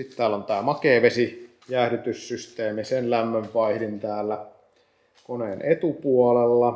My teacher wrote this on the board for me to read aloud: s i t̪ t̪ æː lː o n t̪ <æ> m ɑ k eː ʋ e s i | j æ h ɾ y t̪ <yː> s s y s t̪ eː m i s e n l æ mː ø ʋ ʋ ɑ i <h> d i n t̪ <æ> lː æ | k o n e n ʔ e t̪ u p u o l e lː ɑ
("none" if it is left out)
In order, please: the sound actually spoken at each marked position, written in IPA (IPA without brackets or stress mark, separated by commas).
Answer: æː, y, h, æː